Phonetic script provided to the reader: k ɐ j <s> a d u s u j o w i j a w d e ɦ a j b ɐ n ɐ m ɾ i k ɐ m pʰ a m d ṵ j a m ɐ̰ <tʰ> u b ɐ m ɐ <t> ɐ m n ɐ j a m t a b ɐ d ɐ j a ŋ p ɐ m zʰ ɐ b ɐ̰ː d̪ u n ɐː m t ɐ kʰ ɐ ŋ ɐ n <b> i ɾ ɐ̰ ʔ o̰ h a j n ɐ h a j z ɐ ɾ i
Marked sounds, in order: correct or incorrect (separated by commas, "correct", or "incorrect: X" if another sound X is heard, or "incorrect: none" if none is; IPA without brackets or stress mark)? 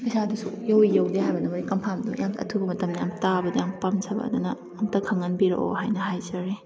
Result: correct, correct, correct, correct